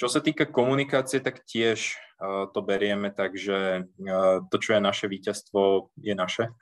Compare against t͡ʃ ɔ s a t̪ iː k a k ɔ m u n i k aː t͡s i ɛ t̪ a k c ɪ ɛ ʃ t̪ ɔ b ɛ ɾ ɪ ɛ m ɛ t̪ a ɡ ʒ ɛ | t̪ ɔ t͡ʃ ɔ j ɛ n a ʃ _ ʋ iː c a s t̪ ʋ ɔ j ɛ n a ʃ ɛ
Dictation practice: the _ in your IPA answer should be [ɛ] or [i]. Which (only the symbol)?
ɛ